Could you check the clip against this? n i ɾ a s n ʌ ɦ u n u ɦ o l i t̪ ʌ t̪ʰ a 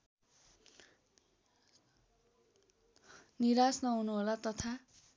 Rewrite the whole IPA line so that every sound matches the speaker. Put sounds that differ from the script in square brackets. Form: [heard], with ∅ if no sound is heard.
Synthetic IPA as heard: n i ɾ a s n ʌ ɦ u n u ɦ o l [a] t̪ ʌ t̪ʰ a